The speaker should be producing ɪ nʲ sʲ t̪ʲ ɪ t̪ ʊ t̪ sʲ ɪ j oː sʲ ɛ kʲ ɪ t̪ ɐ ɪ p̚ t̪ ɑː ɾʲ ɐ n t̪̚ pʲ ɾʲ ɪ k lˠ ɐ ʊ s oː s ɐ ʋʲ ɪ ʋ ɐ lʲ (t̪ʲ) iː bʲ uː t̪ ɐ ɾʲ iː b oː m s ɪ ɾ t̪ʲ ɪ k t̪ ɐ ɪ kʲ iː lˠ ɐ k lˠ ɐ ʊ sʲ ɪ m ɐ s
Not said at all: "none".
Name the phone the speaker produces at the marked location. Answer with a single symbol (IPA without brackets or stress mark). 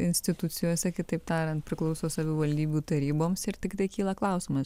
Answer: d̪ʲ